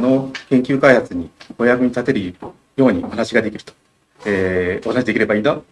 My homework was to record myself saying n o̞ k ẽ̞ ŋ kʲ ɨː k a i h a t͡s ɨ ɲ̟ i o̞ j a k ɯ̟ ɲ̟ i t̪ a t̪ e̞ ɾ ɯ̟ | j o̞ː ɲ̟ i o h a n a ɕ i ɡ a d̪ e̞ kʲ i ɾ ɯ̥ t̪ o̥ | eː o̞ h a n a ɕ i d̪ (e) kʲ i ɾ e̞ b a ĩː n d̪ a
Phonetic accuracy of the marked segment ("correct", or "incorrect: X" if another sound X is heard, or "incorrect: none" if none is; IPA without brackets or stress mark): correct